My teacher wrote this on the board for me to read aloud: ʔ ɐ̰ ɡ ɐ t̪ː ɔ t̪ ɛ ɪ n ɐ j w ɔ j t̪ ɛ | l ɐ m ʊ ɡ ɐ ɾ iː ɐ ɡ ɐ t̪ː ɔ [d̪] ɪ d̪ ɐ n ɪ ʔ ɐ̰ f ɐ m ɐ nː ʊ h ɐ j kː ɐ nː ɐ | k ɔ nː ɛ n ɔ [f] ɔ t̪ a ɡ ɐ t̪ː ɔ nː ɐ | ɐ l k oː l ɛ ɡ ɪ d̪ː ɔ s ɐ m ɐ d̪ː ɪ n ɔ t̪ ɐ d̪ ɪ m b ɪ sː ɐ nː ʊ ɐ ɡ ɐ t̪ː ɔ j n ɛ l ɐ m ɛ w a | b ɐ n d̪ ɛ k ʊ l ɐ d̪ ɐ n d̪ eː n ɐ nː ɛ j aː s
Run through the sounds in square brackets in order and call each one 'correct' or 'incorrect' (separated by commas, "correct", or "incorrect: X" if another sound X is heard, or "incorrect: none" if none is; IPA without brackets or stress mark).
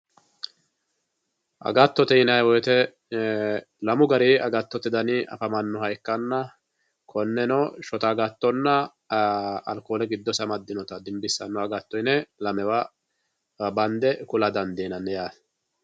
incorrect: t̪, incorrect: ʃ